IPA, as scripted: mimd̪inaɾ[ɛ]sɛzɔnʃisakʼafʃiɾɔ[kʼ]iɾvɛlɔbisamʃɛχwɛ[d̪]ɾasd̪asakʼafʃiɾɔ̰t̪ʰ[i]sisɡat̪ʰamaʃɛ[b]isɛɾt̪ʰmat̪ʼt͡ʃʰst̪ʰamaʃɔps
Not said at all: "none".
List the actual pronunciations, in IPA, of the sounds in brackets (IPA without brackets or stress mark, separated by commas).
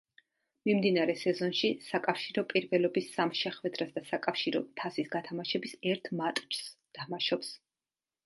ɛ, pʼ, d̪, a, b